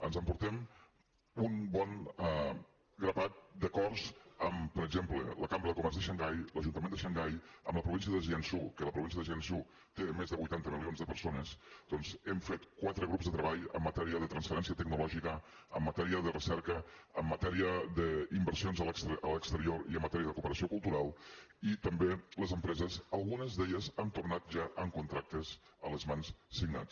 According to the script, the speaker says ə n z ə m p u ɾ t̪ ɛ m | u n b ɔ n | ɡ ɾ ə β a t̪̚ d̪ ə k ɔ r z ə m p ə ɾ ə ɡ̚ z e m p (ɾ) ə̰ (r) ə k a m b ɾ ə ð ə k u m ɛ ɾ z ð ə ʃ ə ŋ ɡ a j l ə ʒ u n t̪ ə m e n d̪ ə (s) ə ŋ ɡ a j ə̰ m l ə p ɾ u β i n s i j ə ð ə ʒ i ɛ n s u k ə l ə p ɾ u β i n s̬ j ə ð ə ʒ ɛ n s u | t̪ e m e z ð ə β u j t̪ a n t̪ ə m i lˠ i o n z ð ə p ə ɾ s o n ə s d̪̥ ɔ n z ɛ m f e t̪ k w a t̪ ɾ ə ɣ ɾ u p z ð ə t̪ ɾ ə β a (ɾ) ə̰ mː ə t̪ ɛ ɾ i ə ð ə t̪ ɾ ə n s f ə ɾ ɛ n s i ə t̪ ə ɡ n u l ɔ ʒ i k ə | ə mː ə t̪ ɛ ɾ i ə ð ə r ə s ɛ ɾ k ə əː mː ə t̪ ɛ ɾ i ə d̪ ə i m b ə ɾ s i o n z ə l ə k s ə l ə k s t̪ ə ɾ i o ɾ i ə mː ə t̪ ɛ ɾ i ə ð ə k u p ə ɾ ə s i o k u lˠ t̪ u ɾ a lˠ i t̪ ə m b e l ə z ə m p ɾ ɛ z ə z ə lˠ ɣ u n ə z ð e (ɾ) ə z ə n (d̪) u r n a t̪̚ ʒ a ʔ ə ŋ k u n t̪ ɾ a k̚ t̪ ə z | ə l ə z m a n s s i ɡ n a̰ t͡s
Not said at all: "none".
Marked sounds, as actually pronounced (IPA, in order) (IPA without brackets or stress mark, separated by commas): l, l, ʃ, ʎ, ʎ, t̪